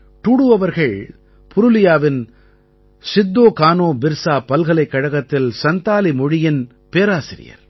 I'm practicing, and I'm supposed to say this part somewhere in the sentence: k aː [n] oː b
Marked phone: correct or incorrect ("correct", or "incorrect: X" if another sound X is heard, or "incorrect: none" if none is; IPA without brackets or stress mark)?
correct